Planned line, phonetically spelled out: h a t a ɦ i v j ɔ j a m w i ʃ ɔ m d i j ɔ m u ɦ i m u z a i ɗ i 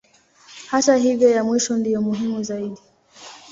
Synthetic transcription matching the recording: h a t a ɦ i v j ɔ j a m w i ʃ ɔ n d i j ɔ m u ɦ i m u z a i ɗ i